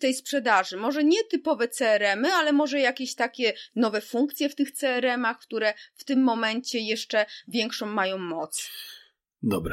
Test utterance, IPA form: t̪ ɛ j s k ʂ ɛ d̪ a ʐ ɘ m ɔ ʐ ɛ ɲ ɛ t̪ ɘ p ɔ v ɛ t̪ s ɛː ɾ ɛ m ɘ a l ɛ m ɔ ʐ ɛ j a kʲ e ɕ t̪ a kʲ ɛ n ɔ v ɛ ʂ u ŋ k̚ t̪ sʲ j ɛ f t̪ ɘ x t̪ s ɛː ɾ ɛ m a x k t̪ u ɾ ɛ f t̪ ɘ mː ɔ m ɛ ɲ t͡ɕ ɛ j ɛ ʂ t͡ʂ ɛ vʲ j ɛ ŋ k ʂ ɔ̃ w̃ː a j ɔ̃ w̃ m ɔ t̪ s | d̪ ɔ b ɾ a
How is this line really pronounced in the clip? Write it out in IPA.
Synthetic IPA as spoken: t̪ ɛ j s p ʂ ɛ d̪ a ʐ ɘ m ɔ ʐ ɛ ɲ ɛ t̪ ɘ p ɔ v ɛ t̪ s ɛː ɾ ɛ m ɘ a l ɛ m ɔ ʐ ɛ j a kʲ e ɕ t̪ a kʲ ɛ n ɔ v ɛ f u ŋ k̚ t̪ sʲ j ɛ f t̪ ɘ x t̪ s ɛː ɾ ɛ m a x k t̪ u ɾ ɛ f t̪ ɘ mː ɔ m ɛ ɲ t͡ɕ ɛ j ɛ ʂ t͡ʂ ɛ vʲ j ɛ ŋ k ʂ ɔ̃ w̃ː a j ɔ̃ w̃ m ɔ t̪ s | d̪ ɔ b ɾ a